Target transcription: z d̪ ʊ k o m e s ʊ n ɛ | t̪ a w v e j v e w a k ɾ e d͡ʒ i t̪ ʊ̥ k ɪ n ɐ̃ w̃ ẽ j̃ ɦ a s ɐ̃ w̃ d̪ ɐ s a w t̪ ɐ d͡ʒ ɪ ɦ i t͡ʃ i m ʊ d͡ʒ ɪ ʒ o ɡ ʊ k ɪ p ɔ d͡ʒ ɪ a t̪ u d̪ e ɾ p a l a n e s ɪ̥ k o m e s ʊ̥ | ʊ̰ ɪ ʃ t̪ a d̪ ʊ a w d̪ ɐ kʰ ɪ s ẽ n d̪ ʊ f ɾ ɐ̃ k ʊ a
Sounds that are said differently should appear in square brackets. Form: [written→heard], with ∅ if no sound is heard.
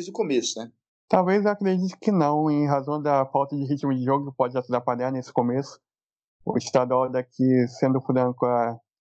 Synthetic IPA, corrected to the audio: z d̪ ʊ k o m e s ʊ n ɛ | t̪ a w v e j [v→z] e w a k ɾ e d͡ʒ i t̪ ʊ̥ k ɪ n ɐ̃ w̃ ẽ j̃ ɦ a [s→z] ɐ̃ w̃ d̪ ɐ [s→f] a w t̪ ɐ d͡ʒ ɪ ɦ i t͡ʃ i m ʊ d͡ʒ ɪ ʒ o ɡ ʊ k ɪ p ɔ d͡ʒ ɪ a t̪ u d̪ [e→a] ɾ p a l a n e s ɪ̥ k o m e s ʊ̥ | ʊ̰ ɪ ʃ t̪ a d̪ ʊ a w d̪ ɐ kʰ ɪ s ẽ n d̪ ʊ f ɾ ɐ̃ k ʊ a